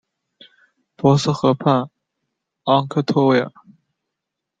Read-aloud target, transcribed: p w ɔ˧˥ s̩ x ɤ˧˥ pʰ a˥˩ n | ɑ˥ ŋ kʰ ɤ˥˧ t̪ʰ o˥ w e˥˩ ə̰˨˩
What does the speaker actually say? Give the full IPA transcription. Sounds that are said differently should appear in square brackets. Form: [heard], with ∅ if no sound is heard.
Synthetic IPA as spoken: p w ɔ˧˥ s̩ x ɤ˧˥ pʰ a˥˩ n | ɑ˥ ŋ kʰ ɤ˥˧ t̪ʰ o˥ w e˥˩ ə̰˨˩